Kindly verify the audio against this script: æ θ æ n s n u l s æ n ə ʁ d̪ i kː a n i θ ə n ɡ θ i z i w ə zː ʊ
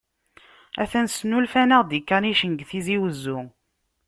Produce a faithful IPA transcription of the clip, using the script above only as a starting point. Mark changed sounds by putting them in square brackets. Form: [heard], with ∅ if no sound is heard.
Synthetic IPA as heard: æ θ æ n s n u l [f] æ n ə ʁ d̪ i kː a n i [ʃ] ə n ɡ θ i z i w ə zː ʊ